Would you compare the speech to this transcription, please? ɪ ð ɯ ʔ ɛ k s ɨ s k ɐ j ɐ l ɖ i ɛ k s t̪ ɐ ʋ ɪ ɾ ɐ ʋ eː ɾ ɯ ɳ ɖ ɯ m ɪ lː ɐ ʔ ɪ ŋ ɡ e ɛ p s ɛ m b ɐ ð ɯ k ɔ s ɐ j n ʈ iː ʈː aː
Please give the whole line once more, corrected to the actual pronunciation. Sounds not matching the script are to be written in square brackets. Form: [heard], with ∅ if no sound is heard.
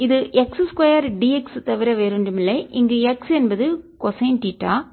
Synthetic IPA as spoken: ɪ ð ɯ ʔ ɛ k s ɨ s k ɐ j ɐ [ɾ] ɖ i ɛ k s t̪ ɐ ʋ ɪ ɾ ɐ ʋ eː ɾ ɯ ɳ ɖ ɯ m ɪ lː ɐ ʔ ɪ ŋ ɡ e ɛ [k] s ɛ [n] b ɐ ð ɯ k ɔ s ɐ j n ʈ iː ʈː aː